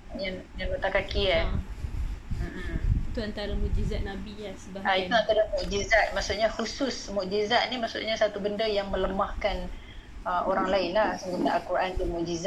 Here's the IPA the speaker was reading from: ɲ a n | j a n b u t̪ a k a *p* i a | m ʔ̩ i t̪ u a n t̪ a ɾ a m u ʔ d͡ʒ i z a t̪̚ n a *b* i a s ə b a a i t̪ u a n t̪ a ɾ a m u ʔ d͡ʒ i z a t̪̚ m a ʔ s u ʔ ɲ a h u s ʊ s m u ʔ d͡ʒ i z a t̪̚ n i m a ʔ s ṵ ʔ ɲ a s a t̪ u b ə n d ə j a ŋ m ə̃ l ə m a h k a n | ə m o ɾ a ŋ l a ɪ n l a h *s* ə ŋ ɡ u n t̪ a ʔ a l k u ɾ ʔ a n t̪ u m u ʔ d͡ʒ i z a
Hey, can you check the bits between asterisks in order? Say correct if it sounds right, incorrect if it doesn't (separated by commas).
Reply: incorrect, correct, correct